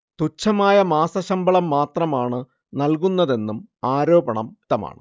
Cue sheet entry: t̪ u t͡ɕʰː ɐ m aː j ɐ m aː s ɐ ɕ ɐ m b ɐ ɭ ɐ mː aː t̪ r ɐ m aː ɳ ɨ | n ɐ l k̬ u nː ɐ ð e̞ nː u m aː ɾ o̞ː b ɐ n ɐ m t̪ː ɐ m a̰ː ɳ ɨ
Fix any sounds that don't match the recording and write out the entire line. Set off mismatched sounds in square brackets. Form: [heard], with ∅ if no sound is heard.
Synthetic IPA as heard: t̪ u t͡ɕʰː ɐ m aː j ɐ m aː s ɐ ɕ ɐ m b ɐ ɭ ɐ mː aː t̪ r ɐ m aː ɳ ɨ | n ɐ l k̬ u nː ɐ ð e̞ nː u m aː ɾ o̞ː b ɐ [ɳ] ɐ m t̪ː ɐ m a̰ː ɳ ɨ